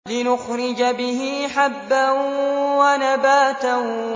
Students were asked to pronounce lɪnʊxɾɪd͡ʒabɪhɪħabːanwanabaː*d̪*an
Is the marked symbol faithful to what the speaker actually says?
no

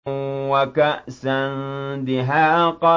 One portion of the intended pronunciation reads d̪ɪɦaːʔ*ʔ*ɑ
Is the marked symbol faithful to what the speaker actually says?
no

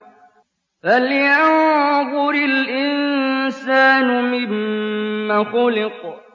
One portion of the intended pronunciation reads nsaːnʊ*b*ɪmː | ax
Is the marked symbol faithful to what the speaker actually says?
no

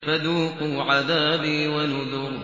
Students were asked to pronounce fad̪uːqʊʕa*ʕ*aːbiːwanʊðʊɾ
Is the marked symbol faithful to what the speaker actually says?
no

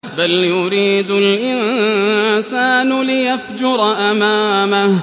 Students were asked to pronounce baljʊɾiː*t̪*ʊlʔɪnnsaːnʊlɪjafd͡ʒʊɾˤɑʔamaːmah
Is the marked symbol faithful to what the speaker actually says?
no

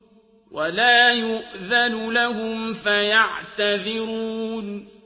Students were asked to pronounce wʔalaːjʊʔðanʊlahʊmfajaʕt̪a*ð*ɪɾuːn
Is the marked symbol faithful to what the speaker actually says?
yes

